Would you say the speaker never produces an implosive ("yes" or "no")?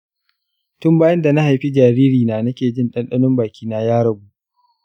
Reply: no